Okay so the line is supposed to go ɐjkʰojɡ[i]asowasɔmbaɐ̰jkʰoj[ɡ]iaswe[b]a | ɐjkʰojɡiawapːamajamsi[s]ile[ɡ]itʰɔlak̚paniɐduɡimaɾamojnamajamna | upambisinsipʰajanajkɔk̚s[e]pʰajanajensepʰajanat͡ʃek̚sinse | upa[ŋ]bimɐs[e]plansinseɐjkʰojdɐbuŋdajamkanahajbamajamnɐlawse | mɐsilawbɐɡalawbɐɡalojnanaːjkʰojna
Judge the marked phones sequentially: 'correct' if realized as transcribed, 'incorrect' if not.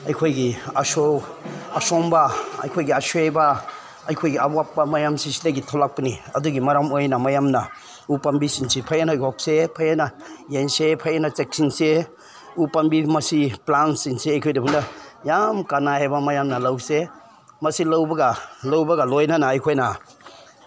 correct, correct, correct, correct, correct, correct, incorrect: m, incorrect: i

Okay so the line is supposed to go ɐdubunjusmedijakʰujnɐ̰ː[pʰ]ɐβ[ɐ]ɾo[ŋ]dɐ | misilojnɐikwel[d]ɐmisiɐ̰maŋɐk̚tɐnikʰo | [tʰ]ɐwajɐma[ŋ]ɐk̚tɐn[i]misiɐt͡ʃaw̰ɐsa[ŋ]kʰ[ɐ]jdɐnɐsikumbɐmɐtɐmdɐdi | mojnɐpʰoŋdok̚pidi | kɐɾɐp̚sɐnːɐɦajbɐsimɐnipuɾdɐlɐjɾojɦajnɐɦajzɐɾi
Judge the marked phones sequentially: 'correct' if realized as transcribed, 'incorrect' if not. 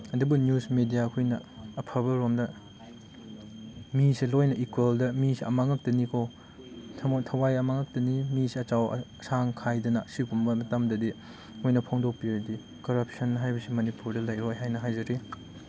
correct, correct, incorrect: m, correct, correct, correct, correct, correct, incorrect: a

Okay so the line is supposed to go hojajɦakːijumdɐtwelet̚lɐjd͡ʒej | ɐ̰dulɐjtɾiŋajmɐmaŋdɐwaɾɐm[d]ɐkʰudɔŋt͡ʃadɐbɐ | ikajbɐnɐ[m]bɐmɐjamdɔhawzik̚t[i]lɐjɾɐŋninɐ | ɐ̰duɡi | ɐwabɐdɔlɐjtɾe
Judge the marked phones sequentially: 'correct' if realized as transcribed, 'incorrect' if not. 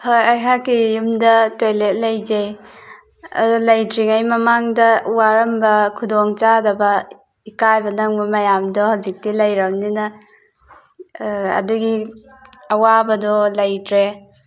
incorrect: b, incorrect: ŋ, correct

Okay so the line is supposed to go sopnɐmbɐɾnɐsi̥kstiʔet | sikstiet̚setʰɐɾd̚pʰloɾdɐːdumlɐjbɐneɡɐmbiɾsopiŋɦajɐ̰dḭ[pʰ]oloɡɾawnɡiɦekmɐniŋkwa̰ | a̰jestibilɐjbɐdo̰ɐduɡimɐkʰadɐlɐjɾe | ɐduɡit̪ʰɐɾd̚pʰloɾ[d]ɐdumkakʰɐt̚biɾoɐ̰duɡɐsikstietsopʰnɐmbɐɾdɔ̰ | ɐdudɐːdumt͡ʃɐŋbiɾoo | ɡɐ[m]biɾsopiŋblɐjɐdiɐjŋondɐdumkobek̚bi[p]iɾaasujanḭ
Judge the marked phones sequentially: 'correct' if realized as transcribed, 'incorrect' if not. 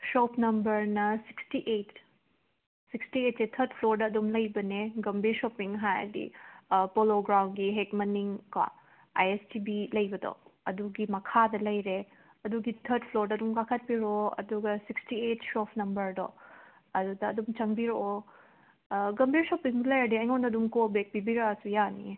incorrect: p, correct, correct, incorrect: b

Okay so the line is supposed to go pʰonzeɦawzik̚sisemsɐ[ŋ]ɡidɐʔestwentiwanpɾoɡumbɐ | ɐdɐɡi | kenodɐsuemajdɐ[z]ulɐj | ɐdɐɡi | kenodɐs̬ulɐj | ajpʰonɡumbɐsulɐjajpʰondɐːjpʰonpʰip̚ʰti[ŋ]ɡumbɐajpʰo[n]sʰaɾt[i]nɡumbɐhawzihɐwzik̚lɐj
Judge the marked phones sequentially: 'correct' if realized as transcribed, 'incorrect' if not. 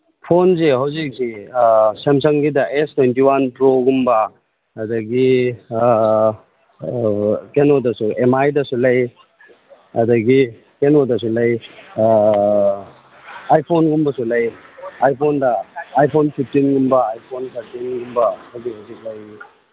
correct, incorrect: s, incorrect: n, correct, correct

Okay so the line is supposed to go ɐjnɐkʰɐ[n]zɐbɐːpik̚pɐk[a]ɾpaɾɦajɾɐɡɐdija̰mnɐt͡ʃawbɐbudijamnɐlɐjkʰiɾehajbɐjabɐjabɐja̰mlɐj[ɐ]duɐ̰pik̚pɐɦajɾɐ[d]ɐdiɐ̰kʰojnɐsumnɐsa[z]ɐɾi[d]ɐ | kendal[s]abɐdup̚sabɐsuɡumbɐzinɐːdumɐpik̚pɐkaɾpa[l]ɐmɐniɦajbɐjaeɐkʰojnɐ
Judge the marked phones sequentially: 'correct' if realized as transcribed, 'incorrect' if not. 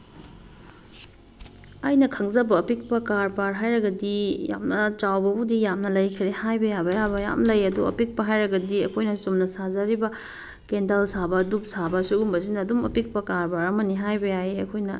incorrect: ŋ, correct, correct, incorrect: ɡ, correct, incorrect: b, correct, incorrect: ɾ

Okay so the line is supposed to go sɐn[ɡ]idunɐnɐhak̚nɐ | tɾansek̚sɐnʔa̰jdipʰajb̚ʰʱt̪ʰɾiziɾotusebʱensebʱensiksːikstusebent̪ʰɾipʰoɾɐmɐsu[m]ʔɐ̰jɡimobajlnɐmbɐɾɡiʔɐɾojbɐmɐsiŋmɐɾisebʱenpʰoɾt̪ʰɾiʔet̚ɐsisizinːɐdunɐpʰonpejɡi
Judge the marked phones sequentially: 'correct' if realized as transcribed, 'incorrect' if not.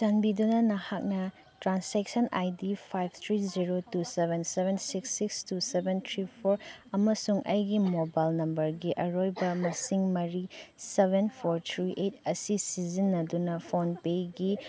incorrect: b, incorrect: ŋ

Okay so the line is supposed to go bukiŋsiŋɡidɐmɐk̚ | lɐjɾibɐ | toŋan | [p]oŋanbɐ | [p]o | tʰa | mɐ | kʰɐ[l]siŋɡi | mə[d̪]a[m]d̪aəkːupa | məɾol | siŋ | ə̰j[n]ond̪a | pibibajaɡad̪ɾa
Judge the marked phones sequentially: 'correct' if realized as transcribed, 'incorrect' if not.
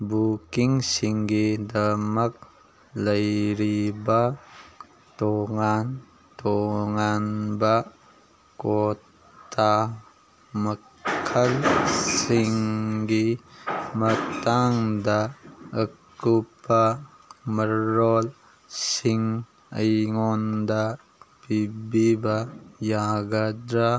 incorrect: t, incorrect: k, correct, incorrect: t̪, incorrect: ŋ, incorrect: ŋ

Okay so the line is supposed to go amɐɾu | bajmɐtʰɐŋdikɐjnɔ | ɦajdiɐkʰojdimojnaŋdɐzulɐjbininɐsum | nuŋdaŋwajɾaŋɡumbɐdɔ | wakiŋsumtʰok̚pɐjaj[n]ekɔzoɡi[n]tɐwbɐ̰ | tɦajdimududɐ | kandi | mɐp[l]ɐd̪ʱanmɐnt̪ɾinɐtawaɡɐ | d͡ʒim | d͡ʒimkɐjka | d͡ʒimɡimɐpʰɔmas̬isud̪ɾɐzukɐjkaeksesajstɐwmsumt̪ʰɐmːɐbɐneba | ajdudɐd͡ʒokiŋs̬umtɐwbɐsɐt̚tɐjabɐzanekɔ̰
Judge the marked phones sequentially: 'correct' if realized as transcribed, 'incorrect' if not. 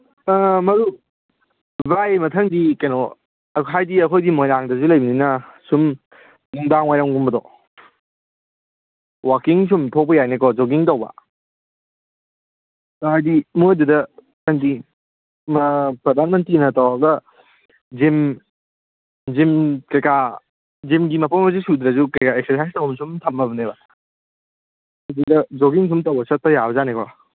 correct, incorrect: ŋ, incorrect: ɾ

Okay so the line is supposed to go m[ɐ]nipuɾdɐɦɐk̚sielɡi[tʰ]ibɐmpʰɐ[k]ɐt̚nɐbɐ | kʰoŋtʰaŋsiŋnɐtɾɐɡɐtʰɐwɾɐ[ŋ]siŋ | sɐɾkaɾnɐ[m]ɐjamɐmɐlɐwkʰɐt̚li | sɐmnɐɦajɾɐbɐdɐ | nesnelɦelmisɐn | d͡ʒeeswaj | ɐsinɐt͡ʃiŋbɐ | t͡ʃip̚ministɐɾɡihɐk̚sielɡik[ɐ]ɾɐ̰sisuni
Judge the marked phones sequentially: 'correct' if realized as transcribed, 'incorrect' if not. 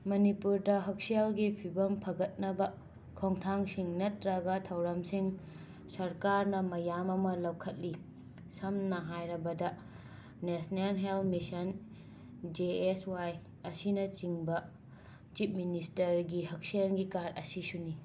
correct, incorrect: pʰ, incorrect: ɡ, incorrect: m, correct, incorrect: a

